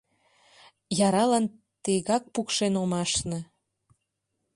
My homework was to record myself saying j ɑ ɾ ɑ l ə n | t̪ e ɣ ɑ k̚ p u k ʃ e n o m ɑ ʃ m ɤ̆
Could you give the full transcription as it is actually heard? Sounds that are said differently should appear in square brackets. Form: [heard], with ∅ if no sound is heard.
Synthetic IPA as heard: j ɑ ɾ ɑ l [ɑ] n | t̪ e ɣ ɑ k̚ p u k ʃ e n o m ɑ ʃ [n] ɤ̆